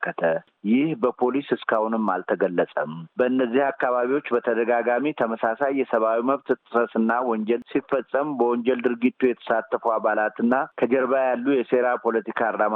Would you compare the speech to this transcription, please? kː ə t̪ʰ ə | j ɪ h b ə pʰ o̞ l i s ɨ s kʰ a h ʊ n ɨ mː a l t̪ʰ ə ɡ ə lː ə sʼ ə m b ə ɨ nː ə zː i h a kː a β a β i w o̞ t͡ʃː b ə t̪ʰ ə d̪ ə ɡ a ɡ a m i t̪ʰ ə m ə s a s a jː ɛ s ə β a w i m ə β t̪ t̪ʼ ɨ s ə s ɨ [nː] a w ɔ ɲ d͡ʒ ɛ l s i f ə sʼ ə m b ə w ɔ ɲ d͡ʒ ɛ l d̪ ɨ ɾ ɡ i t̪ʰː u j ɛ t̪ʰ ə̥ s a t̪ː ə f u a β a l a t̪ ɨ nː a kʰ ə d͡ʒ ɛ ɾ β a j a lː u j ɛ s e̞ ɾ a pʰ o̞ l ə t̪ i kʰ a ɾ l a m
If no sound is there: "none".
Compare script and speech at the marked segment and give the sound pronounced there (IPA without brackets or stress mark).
nː